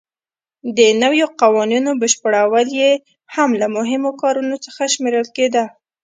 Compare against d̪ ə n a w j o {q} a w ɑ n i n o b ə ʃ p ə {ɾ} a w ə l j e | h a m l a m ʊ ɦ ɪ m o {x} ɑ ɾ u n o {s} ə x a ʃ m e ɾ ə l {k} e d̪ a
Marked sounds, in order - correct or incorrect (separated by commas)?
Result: correct, incorrect, incorrect, incorrect, correct